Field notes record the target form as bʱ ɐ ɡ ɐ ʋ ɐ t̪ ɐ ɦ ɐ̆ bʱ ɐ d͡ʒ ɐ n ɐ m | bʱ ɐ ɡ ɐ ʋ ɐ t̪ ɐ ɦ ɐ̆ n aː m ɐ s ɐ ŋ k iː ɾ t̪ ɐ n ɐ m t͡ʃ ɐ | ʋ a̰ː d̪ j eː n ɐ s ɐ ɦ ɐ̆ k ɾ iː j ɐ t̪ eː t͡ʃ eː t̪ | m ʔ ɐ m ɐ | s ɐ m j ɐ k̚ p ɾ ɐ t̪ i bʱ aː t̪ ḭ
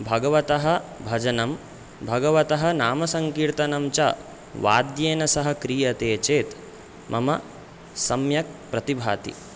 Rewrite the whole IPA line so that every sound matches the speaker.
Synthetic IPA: bʱ ɐ ɡ ɐ ʋ ɐ t̪ ɐ ɦ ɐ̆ bʱ ɐ d͡ʒ ɐ n ɐ m | bʱ ɐ ɡ ɐ ʋ ɐ t̪ ɐ ɦ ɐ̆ n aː m ɐ s ɐ ŋ k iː ɾ t̪ ɐ n ɐ m t͡ʃ ɐ | ʋ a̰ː d̪ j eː n ɐ s ɐ ɦ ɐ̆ k ɾ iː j ɐ t̪ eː t͡ʃ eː t̪ | m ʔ ɐ m ɐ | s ɐ m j ɐ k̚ p ɾ ɐ t̪ i bʱ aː t̪ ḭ